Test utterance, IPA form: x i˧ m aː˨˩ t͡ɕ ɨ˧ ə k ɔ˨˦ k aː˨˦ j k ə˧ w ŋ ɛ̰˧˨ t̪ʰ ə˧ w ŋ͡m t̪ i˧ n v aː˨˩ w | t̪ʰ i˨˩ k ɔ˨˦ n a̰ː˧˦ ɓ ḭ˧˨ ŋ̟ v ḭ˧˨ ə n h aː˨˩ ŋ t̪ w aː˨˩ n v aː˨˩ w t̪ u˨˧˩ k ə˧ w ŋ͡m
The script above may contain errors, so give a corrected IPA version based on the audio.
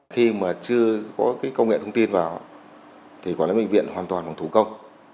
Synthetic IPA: x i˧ m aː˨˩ t͡ɕ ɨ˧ ə k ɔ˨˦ k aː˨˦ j k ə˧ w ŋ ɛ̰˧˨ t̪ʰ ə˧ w ŋ͡m t̪ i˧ n v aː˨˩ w | t̪ʰ i˨˩ k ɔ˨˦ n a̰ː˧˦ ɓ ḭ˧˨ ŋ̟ v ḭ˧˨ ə n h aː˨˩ n t̪ w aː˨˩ n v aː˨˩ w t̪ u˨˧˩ k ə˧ w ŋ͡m